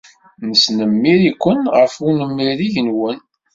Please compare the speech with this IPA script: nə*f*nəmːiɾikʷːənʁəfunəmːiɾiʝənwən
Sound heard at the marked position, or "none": s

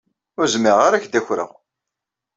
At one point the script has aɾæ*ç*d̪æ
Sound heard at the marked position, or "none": ç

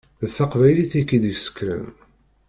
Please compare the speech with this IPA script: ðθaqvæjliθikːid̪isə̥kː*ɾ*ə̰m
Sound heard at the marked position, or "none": ɾ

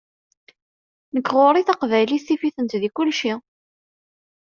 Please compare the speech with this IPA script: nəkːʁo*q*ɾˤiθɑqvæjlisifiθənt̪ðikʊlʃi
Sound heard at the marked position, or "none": none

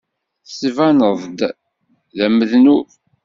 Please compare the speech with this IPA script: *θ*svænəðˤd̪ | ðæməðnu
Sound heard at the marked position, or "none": θ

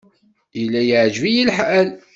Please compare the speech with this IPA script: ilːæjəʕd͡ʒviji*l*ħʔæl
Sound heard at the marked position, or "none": l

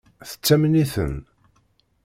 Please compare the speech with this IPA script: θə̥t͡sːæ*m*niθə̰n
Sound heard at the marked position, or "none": m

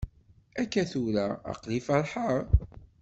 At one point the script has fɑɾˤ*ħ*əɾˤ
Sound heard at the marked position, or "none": ħ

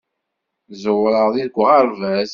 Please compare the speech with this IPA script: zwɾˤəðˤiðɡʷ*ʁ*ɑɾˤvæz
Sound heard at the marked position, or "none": ʁ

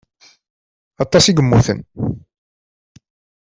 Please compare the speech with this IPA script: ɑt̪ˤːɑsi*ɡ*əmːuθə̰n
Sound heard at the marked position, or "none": ɡ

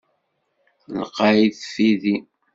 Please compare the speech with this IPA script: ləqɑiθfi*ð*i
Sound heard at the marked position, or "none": ð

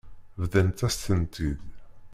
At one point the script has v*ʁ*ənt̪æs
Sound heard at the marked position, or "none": ð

